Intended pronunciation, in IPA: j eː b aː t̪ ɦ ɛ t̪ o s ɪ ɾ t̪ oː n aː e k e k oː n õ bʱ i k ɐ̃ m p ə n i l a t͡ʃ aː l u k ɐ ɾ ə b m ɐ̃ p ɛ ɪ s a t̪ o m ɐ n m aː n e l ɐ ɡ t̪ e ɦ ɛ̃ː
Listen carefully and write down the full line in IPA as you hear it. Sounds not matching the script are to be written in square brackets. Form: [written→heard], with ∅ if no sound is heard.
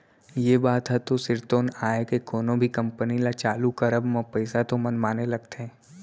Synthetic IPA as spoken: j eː b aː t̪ ɦ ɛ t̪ o s ɪ ɾ t̪ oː n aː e k e k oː n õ bʱ i k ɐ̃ m p ə n i l a t͡ʃ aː l u k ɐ ɾ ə b m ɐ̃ p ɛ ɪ s a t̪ o m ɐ n m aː n e l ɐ ɡ t̪ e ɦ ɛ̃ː